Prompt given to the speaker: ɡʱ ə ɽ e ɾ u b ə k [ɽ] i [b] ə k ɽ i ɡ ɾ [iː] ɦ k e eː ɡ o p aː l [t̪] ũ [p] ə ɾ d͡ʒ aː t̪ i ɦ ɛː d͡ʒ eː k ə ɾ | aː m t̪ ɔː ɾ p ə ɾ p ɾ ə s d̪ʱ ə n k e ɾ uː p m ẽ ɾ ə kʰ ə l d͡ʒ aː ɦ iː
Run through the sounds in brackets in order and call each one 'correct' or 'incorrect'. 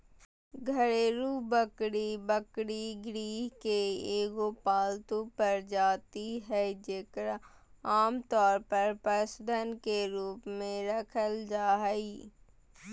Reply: correct, correct, correct, correct, correct

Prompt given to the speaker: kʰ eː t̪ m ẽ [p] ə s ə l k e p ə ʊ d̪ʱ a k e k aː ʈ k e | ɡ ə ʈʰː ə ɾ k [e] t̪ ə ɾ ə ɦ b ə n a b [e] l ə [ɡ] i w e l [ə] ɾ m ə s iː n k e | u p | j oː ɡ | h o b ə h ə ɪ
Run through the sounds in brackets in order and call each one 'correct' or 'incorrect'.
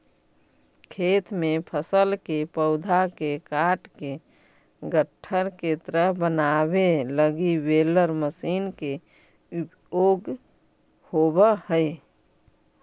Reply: incorrect: pʰ, correct, correct, correct, correct

